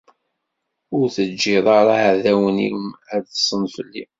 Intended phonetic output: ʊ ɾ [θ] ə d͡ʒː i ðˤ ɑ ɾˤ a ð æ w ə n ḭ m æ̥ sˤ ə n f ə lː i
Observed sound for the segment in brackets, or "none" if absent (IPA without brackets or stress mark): θ